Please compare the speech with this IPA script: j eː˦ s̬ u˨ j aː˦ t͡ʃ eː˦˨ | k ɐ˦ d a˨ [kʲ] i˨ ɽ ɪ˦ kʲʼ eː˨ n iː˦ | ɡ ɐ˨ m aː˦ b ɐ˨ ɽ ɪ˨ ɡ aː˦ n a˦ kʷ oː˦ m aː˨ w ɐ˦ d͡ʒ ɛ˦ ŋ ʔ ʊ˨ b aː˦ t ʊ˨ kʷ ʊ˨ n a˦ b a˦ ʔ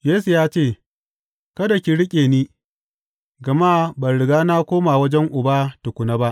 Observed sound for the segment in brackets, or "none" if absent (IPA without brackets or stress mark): kʲ